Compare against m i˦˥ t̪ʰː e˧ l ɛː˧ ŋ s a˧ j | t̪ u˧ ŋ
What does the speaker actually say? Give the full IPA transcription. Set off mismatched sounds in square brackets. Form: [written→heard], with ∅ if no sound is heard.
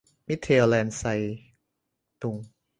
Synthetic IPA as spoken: m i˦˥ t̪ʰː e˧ l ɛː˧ [ŋ→n] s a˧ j | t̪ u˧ ŋ